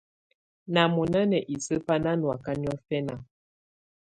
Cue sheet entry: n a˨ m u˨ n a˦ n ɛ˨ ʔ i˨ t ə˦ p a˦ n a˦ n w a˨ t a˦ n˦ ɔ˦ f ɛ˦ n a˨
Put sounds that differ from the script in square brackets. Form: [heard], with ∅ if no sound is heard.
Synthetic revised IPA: n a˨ m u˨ n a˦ n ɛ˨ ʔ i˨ [s] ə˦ p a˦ n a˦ n w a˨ [k] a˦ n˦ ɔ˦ f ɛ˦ n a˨